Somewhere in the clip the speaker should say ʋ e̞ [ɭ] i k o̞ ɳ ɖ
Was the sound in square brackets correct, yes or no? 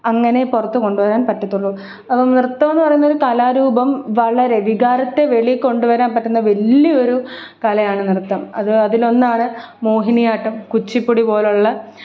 yes